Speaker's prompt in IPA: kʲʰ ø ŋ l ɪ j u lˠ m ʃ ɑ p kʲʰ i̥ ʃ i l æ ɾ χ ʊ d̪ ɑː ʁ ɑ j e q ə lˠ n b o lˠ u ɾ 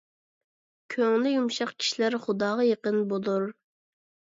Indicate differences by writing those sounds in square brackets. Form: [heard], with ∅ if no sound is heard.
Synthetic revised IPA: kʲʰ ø ŋ l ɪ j u [∅] m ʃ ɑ [q] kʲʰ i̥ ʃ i l æ ɾ χ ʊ d̪ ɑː ʁ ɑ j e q ə [∅] n b o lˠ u ɾ